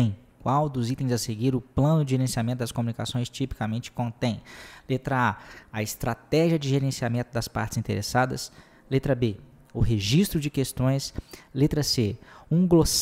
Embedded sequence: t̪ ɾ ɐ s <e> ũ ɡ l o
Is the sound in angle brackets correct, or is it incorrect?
correct